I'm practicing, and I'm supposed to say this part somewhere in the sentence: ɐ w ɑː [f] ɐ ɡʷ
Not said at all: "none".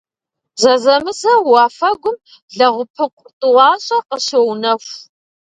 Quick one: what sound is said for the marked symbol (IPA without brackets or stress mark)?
f